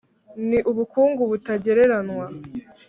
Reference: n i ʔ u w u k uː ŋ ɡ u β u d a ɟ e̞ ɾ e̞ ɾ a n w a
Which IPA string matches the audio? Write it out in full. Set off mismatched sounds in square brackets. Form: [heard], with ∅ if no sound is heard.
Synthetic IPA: n i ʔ u [β] u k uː ŋ ɡ u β u [t] a ɟ e̞ ɾ e̞ ɾ a n w a